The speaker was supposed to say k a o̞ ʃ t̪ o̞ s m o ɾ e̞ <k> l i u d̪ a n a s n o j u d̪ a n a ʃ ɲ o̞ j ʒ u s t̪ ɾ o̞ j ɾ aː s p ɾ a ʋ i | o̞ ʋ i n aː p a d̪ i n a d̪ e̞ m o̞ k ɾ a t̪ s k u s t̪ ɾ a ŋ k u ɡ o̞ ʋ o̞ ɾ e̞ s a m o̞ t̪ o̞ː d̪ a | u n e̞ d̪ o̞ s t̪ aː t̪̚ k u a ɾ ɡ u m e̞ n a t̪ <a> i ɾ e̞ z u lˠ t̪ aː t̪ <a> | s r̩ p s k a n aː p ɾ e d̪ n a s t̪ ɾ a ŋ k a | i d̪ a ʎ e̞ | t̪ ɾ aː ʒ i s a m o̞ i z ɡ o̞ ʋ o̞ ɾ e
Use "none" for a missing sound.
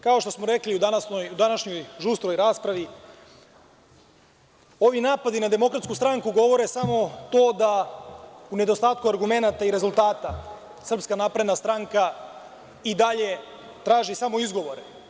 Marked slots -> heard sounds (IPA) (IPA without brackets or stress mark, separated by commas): k, a, a